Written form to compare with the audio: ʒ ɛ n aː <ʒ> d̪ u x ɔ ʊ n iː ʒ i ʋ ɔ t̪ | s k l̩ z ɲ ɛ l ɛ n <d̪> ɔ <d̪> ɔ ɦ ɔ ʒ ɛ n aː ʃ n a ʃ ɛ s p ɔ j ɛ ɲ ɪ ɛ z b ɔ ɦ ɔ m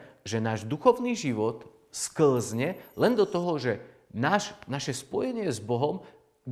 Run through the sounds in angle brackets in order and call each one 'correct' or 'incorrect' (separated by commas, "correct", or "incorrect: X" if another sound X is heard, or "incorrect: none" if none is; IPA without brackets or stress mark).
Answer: correct, correct, incorrect: t̪